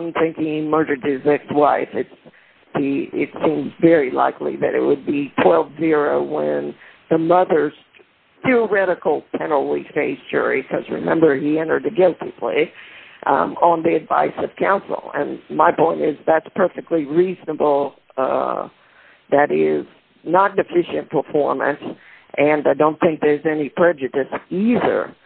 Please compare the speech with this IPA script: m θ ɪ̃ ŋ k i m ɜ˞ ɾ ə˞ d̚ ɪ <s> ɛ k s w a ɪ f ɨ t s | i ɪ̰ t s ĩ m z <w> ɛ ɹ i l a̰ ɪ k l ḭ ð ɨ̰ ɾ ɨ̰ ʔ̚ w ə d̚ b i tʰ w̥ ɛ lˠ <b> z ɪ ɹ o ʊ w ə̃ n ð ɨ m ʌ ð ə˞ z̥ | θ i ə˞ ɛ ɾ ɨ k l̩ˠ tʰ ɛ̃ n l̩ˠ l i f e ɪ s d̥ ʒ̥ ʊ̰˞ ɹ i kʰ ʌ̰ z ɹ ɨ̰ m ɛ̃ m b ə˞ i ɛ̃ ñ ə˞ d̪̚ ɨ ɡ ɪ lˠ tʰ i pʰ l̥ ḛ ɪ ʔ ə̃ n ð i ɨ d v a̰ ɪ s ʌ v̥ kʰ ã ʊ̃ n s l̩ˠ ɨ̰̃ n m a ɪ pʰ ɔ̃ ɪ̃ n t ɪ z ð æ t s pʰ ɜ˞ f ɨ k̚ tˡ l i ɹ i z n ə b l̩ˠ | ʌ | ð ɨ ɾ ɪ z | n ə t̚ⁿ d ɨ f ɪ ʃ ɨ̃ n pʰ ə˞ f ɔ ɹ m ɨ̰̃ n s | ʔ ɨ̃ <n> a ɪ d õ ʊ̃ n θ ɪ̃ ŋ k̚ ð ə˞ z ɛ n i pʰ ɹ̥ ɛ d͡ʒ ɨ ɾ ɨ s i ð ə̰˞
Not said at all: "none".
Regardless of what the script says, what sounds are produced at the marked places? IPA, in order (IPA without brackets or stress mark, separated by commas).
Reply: z, v, v, n